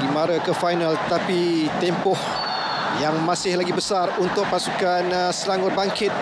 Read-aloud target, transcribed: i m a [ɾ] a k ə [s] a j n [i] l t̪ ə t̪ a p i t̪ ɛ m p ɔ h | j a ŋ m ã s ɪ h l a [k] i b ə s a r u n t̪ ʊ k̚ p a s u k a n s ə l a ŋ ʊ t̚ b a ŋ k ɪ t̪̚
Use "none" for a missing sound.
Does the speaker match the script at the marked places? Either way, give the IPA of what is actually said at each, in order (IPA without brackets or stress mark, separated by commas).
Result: ɾ, f, a, ɡ